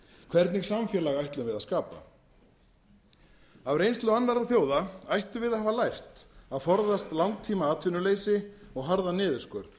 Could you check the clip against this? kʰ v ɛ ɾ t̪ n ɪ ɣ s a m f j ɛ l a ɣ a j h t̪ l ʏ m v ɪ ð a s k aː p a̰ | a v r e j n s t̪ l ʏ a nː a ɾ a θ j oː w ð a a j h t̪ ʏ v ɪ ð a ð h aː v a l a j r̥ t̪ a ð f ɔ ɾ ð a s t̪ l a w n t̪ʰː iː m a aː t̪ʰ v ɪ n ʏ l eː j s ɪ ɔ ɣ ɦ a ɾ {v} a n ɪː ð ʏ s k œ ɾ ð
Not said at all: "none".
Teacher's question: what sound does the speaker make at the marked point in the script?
ð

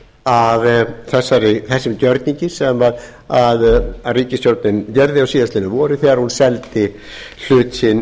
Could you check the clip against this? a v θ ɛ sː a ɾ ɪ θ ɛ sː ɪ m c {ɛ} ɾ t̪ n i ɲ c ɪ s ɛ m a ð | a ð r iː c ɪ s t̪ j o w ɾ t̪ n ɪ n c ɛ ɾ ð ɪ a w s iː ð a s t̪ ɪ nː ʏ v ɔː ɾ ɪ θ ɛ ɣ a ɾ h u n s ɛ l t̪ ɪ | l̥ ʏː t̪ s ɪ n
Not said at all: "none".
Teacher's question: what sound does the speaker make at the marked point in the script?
œ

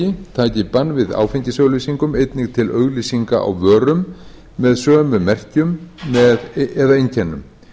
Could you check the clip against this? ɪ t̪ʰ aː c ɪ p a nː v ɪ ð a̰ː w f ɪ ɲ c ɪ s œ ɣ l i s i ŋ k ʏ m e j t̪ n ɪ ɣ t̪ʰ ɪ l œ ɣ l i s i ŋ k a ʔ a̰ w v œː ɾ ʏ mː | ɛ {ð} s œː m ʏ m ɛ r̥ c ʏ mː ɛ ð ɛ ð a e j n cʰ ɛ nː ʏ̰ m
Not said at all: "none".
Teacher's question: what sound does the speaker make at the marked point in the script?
ð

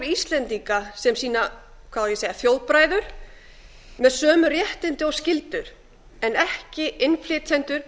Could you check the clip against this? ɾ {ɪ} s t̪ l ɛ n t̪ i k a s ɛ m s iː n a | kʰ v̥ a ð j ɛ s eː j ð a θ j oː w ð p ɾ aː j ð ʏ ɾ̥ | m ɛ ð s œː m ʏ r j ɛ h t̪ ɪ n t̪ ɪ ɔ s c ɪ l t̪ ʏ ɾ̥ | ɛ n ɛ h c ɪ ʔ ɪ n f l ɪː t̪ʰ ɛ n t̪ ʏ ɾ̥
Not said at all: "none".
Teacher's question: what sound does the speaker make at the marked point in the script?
i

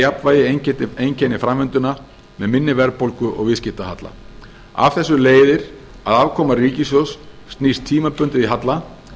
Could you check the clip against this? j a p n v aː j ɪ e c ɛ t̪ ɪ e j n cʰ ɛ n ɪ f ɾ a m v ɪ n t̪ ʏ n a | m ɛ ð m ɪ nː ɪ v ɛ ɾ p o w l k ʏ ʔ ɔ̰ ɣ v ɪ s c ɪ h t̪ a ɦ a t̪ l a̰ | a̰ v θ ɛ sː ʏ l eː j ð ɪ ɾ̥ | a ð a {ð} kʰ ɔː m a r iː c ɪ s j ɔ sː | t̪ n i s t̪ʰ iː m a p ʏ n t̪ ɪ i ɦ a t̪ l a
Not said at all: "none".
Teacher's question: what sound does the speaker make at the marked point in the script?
v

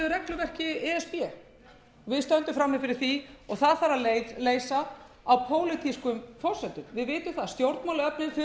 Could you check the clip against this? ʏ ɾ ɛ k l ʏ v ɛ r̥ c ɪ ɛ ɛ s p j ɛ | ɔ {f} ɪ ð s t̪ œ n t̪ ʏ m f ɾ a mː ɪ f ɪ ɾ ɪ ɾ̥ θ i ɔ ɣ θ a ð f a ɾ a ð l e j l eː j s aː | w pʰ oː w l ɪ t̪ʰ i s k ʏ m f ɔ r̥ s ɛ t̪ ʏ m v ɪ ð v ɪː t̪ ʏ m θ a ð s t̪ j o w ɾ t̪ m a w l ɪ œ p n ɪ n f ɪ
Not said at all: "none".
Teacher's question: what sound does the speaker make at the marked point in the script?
v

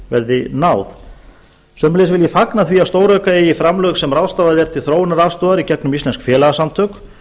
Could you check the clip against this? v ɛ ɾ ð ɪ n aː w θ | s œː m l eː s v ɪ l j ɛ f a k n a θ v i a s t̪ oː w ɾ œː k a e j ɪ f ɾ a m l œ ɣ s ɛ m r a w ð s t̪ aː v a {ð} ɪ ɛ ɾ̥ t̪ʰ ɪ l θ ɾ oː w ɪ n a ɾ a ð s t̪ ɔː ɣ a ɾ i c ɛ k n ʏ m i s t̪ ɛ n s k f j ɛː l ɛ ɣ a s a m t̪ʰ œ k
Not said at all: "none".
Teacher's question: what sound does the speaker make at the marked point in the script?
ð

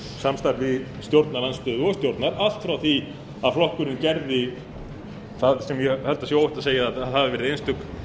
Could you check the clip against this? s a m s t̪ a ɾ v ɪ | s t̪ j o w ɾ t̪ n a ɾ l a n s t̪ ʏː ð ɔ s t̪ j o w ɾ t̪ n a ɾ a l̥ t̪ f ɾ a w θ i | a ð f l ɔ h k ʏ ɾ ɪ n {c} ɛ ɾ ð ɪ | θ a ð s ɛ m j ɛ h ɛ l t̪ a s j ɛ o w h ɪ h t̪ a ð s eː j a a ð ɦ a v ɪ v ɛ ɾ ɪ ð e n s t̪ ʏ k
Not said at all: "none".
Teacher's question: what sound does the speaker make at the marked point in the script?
c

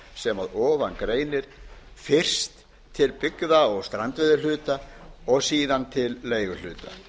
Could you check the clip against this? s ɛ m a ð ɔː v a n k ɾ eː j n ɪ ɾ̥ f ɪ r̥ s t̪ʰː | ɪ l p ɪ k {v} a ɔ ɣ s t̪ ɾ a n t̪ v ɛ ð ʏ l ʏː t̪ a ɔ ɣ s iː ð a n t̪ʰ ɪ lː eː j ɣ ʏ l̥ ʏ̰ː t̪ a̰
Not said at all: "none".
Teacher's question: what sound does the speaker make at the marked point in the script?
ð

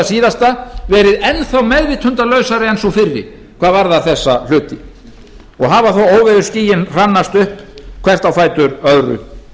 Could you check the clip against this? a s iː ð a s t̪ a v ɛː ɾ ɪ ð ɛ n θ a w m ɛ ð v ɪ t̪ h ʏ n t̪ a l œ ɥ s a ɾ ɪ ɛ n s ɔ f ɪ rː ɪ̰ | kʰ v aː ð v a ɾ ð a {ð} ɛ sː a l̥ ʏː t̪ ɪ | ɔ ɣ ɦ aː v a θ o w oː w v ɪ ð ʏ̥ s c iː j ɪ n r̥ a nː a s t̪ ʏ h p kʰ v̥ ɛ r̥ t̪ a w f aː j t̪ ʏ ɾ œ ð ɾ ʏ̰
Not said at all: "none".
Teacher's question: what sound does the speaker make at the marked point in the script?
θ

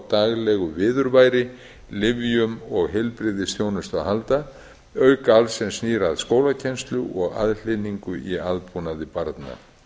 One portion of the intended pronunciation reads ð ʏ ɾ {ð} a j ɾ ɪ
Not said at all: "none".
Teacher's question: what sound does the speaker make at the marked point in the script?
v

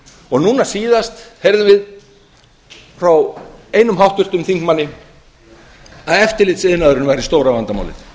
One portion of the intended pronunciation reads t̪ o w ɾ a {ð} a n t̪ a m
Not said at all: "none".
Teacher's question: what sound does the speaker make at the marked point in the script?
v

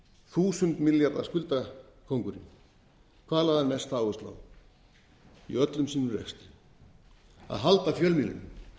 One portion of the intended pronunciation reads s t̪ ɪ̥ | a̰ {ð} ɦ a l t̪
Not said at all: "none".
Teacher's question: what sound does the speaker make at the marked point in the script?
ð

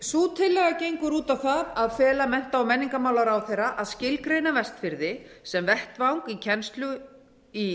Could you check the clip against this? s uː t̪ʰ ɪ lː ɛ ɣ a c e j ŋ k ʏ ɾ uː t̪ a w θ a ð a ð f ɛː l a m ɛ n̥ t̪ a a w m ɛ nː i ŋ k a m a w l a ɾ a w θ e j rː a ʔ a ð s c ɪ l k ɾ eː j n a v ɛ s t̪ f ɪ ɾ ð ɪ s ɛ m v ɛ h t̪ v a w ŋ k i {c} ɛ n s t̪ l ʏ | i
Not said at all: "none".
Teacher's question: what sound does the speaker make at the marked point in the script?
cʰ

